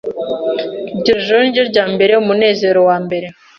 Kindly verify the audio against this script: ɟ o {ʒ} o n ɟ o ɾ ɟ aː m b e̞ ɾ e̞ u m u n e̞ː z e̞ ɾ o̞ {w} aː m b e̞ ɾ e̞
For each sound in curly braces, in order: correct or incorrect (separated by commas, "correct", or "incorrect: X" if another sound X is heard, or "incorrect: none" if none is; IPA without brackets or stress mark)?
correct, correct